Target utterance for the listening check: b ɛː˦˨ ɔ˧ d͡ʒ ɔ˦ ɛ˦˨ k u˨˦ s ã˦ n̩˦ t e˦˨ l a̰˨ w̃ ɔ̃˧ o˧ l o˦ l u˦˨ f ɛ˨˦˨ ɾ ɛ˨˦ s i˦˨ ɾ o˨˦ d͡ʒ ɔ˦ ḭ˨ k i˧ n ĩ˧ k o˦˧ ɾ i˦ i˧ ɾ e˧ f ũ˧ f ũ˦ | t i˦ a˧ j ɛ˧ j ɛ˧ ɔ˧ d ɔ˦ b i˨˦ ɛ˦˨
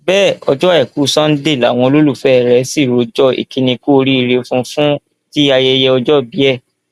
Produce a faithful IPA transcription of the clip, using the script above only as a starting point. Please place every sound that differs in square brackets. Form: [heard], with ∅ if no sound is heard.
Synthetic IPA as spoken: b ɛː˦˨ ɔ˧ d͡ʒ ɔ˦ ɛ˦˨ k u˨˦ s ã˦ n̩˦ [d] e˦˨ l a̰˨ w̃ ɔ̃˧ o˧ l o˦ l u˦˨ f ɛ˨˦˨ ɾ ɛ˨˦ s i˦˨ ɾ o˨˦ d͡ʒ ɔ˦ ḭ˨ k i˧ n ĩ˧ k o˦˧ ɾ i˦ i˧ ɾ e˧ f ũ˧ f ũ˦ | t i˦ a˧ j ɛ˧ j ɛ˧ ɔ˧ [d͡ʒ] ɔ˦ b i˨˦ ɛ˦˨